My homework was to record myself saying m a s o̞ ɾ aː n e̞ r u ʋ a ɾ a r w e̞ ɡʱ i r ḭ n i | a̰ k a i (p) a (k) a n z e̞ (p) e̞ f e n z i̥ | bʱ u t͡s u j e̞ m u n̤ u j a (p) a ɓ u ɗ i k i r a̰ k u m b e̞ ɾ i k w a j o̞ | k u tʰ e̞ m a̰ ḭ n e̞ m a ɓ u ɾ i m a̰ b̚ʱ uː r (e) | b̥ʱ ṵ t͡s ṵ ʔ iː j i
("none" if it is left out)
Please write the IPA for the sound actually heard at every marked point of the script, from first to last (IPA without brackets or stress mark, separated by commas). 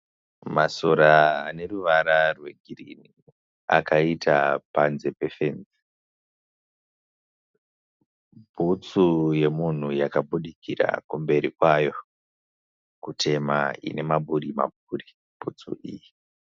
t, p, p, k, i